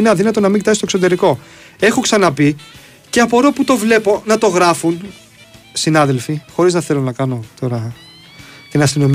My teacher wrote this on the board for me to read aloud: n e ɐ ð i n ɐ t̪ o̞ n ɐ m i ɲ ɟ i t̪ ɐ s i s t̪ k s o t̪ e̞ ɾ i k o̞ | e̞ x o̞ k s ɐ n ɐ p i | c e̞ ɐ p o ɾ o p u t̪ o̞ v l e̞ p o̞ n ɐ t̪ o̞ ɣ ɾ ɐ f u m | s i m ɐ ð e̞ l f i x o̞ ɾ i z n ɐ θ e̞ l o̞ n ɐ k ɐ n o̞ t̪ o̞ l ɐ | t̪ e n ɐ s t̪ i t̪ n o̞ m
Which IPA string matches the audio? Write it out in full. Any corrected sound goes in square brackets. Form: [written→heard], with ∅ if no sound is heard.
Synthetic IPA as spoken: n e ɐ ð i n ɐ t̪ o̞ n ɐ m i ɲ ɟ i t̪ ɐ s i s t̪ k s o t̪ e̞ ɾ i k o̞ | e̞ x o̞ k s ɐ n ɐ p i | c e̞ ɐ p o ɾ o p u t̪ o̞ v l e̞ p o̞ n ɐ t̪ o̞ ɣ ɾ ɐ f u [m→n] | s i [m→n] ɐ ð e̞ l f i x o̞ ɾ i z n ɐ θ e̞ l o̞ n ɐ k ɐ n o̞ t̪ o̞ [l→ɾ] ɐ | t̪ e n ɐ s t̪ i [t̪→∅] n o̞ m